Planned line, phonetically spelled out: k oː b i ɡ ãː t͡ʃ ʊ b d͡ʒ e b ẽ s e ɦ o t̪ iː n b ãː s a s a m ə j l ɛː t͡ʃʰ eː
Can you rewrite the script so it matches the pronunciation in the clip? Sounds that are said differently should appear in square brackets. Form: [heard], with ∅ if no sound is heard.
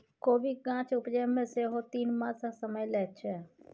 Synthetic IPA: k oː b i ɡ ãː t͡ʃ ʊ [p] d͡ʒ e [m] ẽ s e ɦ o t̪ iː n [m] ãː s a s [ə] m ə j l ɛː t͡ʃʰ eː

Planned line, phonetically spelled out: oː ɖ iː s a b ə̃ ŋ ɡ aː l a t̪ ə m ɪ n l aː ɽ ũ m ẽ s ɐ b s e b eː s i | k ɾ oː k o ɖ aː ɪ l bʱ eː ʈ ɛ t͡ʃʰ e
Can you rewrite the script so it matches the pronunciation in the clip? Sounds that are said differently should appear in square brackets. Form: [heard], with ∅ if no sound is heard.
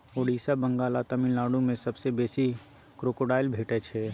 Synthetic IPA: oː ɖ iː s a b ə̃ ŋ ɡ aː l a t̪ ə m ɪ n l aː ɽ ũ m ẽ s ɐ b s e b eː s i | k ɾ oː k o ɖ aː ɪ l bʱ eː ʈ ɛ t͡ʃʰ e

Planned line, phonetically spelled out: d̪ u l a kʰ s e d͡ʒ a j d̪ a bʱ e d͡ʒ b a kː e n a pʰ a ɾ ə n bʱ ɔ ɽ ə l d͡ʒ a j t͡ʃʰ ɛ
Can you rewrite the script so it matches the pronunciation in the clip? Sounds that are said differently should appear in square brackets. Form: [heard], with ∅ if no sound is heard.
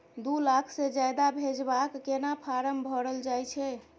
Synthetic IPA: d̪ u l a kʰ s e d͡ʒ a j d̪ a bʱ e d͡ʒ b a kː e n a pʰ a ɾ ə [m] bʱ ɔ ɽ ə l d͡ʒ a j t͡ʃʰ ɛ

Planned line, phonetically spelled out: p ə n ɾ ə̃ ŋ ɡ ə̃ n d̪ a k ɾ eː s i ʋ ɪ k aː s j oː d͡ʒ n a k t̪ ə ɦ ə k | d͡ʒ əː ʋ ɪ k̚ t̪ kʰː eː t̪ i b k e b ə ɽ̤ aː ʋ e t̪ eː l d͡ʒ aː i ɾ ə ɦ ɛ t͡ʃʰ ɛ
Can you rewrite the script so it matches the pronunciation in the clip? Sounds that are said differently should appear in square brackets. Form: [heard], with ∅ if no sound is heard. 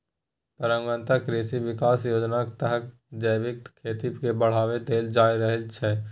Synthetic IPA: p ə [∅] ɾ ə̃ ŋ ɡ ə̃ n [t̪] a k ɾ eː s i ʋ ɪ k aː s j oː d͡ʒ n a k t̪ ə ɦ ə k | d͡ʒ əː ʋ ɪ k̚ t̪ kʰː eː t̪ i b k e b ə ɽ̤ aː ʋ e t̪ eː l d͡ʒ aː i ɾ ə ɦ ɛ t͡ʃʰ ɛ

